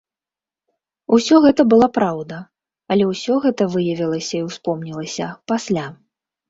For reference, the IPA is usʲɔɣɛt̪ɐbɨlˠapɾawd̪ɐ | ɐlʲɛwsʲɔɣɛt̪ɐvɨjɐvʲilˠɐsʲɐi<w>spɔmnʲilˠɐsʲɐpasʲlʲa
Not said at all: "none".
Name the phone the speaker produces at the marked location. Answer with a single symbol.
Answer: w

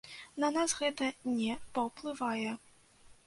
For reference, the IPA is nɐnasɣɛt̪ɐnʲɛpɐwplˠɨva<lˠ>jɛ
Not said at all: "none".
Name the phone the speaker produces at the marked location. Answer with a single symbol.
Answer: none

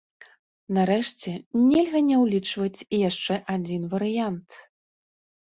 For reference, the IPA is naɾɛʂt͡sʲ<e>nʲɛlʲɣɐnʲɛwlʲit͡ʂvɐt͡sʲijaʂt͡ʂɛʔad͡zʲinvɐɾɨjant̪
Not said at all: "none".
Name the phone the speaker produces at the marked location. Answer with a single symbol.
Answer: ɛ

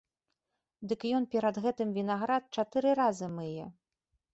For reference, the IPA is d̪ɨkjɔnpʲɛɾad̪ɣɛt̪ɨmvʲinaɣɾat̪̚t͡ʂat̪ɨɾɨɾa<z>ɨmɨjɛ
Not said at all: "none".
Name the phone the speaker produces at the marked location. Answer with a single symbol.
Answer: z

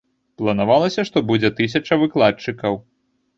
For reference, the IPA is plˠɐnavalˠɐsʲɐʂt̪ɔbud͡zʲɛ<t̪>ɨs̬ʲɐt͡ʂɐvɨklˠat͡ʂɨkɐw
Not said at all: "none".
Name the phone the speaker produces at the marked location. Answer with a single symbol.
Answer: t̪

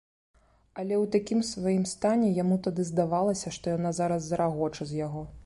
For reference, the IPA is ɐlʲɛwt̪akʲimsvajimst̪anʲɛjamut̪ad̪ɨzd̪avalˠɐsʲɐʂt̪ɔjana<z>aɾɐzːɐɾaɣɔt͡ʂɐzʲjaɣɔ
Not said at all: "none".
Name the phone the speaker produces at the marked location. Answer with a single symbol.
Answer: z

